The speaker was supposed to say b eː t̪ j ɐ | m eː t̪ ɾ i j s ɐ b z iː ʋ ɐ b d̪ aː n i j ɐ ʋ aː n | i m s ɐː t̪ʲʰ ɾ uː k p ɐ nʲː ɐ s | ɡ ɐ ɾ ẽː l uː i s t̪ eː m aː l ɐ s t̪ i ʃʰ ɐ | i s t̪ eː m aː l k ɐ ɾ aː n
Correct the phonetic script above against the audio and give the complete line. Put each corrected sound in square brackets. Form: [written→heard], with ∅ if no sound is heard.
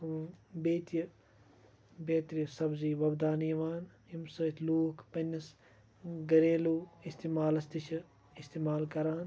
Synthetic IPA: b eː t̪ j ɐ | [m→b] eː t̪ ɾ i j s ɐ b z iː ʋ ɐ b d̪ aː n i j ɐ ʋ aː n | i m s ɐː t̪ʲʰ [ɾ→l] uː k p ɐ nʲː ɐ s | ɡ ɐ ɾ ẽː l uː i s t̪ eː m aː l ɐ s t̪ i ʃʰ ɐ | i s t̪ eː m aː l k ɐ ɾ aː n

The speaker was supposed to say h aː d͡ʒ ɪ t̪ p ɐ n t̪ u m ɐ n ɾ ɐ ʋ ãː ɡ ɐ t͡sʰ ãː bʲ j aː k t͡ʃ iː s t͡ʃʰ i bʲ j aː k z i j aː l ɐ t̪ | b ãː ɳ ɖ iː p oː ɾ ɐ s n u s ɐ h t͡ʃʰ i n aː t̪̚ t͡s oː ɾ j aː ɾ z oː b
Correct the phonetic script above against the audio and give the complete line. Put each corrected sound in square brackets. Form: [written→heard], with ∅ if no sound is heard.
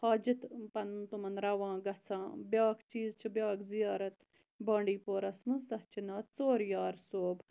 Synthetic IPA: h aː d͡ʒ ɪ t̪ p ɐ n t̪ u m ɐ n ɾ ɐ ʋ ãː ɡ ɐ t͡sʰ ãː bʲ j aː k t͡ʃ iː [s→z] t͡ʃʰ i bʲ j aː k z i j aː [l→ɾ] ɐ t̪ | b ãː ɳ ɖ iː p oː ɾ ɐ s [n→m] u s ɐ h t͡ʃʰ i n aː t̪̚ t͡s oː ɾ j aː ɾ [z→s] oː b

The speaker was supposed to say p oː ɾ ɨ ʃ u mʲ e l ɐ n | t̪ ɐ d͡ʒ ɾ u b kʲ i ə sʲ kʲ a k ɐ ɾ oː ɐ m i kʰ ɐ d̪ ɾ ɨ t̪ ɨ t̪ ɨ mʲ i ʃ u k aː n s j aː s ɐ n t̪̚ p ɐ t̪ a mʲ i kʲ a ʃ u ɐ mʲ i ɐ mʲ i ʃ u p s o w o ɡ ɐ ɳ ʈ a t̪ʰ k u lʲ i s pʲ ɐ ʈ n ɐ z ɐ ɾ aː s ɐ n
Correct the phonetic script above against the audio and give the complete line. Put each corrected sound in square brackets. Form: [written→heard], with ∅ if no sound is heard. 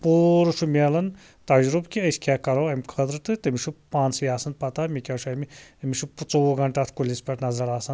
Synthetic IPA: p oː ɾ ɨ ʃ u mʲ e l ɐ n | t̪ ɐ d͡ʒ ɾ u b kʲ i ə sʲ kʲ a k ɐ ɾ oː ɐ m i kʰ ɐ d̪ ɾ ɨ t̪ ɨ t̪ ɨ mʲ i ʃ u [k→p] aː n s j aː s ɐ n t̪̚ p ɐ t̪ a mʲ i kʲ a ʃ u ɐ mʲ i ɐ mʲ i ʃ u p [s→t͡s] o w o ɡ ɐ ɳ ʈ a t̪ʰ k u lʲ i s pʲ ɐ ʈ n ɐ z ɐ ɾ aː s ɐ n

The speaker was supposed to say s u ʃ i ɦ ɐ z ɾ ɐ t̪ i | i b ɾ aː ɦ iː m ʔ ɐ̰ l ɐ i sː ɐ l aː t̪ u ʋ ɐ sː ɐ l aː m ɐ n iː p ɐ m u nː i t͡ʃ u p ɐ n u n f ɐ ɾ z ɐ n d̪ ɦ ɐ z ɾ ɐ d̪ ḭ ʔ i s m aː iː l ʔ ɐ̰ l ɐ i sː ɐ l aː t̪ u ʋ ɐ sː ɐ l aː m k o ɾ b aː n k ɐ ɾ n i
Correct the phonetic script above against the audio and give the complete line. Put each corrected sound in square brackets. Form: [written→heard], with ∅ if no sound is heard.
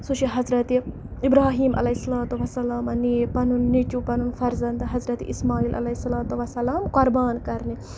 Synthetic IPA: s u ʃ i ɦ ɐ z ɾ ɐ t̪ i | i b ɾ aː ɦ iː m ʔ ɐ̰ l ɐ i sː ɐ l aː t̪ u ʋ ɐ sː ɐ l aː m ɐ n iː p ɐ [m→n] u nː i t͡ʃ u p ɐ n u n f ɐ ɾ z ɐ n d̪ ɦ ɐ z ɾ ɐ [d̪→t̪] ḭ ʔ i s m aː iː l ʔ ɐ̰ l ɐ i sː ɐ l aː t̪ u ʋ ɐ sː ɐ l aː m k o ɾ b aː n k ɐ ɾ n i

